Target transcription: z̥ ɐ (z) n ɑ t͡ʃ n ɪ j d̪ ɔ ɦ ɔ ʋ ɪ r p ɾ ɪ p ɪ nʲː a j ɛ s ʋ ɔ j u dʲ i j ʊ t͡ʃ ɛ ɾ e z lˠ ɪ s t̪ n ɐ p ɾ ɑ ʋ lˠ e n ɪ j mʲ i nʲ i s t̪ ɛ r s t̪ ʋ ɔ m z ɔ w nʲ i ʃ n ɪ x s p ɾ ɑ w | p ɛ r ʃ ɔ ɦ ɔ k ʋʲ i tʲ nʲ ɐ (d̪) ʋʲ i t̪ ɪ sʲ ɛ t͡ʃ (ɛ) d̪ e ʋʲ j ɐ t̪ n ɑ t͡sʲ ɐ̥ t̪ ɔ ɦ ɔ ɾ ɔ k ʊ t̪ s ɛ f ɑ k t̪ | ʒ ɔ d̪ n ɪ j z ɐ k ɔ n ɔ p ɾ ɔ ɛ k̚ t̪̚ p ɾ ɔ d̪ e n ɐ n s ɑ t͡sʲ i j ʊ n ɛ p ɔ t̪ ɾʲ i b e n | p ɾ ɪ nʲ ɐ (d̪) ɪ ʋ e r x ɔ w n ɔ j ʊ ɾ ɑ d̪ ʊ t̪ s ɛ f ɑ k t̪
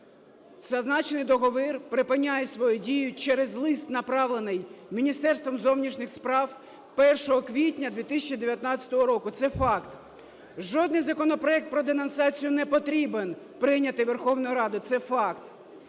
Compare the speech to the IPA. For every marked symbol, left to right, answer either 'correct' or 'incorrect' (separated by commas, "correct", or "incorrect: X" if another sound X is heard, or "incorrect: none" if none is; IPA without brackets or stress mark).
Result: correct, correct, incorrect: i, incorrect: t̪